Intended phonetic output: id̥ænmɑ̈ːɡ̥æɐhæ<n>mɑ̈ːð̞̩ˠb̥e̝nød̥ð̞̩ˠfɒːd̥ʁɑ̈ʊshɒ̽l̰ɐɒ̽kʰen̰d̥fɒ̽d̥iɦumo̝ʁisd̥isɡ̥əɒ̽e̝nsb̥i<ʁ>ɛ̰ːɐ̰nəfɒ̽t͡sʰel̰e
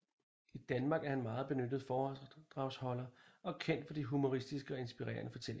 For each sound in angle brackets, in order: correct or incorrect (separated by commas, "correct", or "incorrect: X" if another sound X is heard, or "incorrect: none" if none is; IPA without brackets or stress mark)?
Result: correct, correct